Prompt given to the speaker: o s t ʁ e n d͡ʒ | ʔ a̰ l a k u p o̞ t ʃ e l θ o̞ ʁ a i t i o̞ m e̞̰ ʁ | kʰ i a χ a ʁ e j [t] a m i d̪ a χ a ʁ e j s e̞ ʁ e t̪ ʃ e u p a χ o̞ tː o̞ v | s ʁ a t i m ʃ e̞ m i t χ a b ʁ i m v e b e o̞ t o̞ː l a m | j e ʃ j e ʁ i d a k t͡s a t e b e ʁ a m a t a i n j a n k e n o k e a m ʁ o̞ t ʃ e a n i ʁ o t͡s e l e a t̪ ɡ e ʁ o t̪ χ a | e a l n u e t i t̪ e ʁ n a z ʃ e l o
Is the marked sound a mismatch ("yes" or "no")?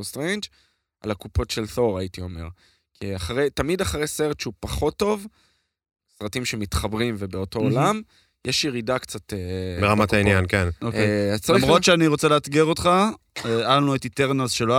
no